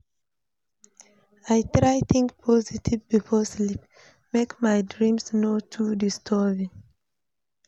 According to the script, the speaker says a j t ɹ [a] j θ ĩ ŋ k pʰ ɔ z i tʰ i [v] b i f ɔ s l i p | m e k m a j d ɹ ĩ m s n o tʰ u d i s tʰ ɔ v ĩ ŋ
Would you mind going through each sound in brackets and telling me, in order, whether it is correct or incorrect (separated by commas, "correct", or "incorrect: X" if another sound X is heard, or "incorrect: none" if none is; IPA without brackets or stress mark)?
correct, correct